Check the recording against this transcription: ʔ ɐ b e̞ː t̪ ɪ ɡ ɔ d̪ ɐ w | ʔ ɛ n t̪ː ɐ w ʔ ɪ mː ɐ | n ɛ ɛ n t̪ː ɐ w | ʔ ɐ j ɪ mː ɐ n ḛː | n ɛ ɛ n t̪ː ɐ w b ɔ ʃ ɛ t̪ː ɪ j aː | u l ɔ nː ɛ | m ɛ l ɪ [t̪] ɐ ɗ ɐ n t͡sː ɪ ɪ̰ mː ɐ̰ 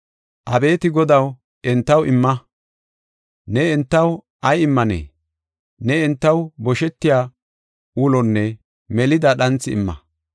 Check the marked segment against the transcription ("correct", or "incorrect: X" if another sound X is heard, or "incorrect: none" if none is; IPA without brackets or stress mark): incorrect: d̪